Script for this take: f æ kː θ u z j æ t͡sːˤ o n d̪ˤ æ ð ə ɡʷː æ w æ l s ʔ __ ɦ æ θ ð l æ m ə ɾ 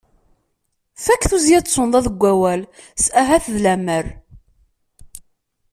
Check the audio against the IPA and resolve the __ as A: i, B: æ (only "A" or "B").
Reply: B